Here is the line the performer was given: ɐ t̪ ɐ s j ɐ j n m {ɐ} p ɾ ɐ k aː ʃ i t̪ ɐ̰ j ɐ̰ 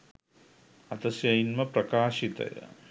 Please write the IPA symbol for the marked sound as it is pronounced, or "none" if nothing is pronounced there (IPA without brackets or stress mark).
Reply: ɐ